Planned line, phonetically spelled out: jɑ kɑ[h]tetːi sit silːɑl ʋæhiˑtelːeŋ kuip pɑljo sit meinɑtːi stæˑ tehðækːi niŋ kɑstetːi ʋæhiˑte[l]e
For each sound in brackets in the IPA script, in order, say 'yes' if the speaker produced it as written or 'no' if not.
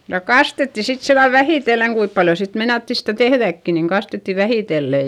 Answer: no, no

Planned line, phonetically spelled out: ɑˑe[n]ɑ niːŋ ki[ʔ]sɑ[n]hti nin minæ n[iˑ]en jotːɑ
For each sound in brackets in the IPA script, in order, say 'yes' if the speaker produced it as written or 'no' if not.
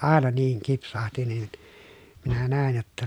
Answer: yes, no, no, no

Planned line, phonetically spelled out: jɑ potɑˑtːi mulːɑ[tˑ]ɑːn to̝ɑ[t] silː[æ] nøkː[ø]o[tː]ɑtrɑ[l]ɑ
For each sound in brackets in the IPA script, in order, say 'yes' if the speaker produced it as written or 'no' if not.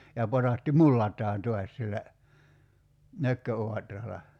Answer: yes, no, yes, yes, no, yes

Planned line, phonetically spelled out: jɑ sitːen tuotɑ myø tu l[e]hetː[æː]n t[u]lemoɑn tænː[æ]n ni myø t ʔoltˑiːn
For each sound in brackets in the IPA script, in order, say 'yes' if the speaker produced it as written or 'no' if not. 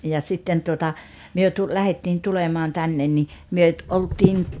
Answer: no, no, yes, no

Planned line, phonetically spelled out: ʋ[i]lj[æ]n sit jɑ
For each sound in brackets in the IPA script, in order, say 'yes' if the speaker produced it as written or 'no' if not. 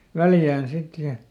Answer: no, no

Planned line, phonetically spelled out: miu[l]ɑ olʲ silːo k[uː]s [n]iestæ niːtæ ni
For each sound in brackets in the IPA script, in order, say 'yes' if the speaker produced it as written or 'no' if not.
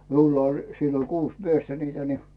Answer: no, yes, no

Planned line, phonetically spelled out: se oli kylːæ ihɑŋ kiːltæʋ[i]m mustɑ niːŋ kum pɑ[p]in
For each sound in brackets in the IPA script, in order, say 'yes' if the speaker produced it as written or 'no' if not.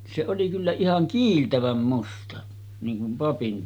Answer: no, yes

